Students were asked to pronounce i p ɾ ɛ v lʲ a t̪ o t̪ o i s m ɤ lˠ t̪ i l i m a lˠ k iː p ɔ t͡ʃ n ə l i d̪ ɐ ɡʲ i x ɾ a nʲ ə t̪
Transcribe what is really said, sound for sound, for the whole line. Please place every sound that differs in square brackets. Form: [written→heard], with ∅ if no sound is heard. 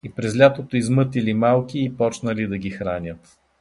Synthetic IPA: i p ɾ ɛ [v→z] lʲ a t̪ o t̪ o i [s→z] m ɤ [lˠ→∅] t̪ i l i m a lˠ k iː p ɔ t͡ʃ n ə l i d̪ ɐ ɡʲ i x ɾ a nʲ ə t̪